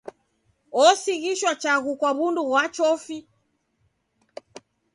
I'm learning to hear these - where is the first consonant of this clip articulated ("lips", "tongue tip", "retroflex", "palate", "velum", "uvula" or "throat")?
tongue tip